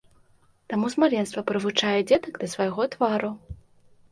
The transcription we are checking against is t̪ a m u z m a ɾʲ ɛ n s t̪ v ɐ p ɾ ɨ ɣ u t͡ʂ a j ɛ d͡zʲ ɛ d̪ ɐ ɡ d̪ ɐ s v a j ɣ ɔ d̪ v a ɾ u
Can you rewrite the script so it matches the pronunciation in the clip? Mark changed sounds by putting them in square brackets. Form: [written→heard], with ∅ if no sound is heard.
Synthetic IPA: t̪ a m u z m a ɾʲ ɛ n s t̪ v ɐ p ɾ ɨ [ɣ→v] u t͡ʂ a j ɛ d͡zʲ ɛ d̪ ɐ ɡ d̪ ɐ s v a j ɣ ɔ [d̪→t̪] v a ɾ u